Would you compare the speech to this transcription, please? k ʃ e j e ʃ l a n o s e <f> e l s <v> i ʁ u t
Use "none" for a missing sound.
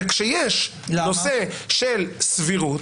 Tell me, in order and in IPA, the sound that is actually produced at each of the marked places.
ʃ, v

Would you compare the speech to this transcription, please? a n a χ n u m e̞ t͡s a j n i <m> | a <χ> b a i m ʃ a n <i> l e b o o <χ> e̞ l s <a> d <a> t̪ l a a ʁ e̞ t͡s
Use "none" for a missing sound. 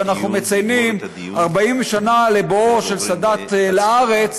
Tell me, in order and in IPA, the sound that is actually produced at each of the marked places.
m, ʁ, a, ʃ, a, a

